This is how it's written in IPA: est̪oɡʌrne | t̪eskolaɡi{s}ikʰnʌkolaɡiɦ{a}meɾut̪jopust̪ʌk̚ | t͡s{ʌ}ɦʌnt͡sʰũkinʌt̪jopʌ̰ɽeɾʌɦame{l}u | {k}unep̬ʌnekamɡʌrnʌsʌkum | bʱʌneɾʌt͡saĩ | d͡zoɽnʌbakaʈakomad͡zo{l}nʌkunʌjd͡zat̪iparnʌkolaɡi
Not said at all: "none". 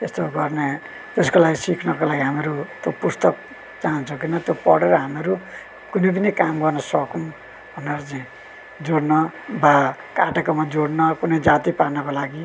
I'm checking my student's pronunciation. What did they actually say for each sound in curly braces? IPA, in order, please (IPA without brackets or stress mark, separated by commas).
s, a, a, ɾ, k, ɽ